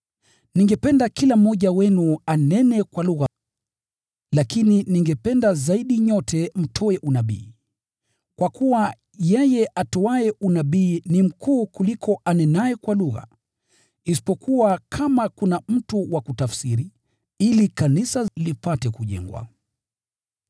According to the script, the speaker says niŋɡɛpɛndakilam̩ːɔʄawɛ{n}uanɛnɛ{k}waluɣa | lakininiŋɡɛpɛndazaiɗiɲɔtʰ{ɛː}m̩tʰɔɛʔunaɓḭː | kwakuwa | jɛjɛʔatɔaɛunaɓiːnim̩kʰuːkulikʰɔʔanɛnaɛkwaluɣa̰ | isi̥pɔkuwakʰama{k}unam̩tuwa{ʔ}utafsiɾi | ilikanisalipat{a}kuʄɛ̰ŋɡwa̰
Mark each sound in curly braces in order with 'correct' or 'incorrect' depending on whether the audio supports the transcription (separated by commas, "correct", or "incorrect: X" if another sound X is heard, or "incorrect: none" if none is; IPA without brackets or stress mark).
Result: correct, correct, incorrect: ɛ, correct, incorrect: k, incorrect: ɛ